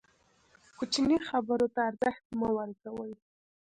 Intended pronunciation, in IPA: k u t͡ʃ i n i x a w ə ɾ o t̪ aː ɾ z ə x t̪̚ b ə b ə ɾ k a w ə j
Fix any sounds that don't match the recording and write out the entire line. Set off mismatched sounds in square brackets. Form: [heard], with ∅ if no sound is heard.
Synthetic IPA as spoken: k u t͡ʃ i n i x a [b] ə ɾ o t̪ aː ɾ z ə x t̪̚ [m] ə [w] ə ɾ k a w ə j